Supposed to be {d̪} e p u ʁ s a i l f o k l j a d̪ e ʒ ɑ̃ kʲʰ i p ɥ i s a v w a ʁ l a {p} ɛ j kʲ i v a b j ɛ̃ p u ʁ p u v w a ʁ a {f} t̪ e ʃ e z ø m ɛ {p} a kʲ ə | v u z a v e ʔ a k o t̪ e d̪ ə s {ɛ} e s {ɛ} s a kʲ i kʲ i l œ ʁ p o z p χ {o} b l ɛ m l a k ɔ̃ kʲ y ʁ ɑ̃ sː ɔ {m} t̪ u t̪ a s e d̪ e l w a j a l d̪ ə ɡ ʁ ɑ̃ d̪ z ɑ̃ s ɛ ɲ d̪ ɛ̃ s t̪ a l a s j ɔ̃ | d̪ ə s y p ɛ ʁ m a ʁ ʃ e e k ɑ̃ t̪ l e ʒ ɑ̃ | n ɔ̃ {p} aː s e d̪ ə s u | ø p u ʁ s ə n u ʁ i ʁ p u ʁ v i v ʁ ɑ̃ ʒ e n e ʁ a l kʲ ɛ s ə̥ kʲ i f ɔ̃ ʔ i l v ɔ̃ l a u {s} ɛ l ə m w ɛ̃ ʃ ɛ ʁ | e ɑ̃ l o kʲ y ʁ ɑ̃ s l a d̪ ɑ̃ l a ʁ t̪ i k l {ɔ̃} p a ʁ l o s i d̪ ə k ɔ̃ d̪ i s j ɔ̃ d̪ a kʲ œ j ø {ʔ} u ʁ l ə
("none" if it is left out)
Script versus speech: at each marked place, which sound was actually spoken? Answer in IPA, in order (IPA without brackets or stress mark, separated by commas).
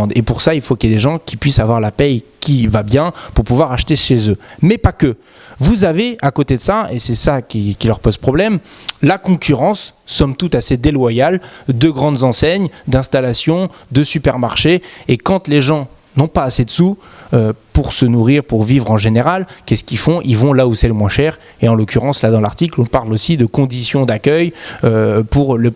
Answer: d̪, p, ʃ, p, a, ɛ, ɔ, m, p, s, ɔ̃, p